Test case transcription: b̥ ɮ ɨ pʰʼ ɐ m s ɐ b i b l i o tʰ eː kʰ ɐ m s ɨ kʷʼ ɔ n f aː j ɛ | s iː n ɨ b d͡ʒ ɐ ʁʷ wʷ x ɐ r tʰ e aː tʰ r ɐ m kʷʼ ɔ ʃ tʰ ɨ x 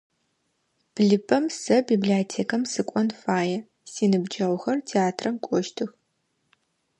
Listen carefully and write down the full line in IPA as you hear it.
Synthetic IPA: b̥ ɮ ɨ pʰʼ ɐ m s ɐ b i b l i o tʰ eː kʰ ɐ m s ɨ kʷʼ ɔ n f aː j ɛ | s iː n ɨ b d͡ʒ ɐ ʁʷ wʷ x ɐ r tʰ e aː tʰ r ɐ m kʷʼ ɔ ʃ tʰ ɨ x